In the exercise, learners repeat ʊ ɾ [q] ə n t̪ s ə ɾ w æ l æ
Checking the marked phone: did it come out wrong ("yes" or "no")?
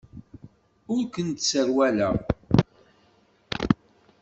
yes